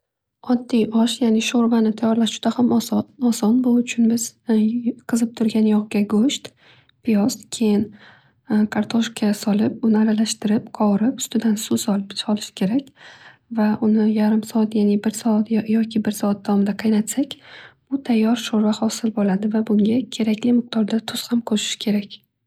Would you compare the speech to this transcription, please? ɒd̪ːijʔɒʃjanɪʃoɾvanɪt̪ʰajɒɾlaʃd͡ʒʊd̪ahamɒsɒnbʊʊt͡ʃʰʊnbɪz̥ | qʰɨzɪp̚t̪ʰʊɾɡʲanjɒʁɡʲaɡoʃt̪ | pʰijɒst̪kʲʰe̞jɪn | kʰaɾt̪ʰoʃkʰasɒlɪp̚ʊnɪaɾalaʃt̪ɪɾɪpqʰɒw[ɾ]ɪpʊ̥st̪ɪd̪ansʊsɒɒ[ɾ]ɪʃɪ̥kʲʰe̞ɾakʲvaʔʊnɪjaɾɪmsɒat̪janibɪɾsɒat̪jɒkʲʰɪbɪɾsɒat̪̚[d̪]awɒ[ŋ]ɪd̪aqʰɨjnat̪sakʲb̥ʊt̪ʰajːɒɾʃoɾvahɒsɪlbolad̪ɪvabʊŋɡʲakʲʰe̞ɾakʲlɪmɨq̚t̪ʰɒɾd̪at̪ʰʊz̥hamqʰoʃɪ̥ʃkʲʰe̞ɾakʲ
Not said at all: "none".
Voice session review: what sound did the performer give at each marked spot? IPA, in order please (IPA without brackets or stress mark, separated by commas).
ɾ, l, d̪, m